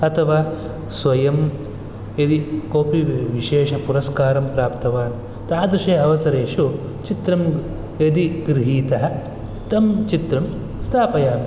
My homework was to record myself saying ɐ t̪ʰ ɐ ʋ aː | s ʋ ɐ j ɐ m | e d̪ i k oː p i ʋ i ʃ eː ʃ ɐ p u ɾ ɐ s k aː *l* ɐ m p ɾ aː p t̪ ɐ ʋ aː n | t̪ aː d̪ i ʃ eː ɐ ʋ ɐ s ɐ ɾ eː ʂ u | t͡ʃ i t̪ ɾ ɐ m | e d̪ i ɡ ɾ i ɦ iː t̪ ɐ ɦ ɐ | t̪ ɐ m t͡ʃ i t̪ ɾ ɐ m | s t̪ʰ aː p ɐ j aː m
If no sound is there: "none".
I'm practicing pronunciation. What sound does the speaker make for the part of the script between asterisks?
ɾ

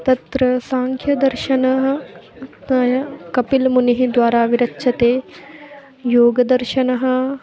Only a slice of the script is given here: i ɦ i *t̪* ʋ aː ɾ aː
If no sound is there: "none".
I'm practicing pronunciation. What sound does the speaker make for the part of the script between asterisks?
d̪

